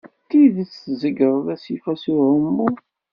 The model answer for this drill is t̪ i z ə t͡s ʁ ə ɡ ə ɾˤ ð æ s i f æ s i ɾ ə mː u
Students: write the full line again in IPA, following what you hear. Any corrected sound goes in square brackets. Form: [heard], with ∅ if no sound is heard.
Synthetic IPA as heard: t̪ i [ð] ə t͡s [z] ə ɡ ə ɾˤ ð æ s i f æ s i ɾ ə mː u